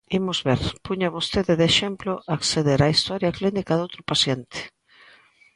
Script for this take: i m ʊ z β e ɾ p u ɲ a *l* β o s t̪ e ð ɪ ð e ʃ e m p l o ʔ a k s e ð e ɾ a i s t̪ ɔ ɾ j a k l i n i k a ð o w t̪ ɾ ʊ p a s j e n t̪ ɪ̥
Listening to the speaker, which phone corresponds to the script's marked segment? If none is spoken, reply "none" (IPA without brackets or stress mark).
none